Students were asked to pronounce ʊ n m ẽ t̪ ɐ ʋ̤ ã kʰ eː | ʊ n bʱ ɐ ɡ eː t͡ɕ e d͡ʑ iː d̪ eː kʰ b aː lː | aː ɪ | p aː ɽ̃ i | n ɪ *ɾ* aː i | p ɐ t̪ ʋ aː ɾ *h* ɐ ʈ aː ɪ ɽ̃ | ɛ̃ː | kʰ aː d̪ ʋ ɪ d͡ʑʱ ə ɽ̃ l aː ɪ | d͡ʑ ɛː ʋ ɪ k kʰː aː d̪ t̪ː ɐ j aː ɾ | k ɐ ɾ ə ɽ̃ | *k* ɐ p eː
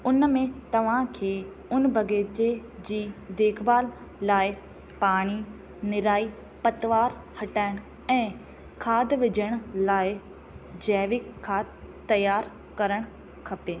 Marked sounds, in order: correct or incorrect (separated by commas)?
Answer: correct, correct, incorrect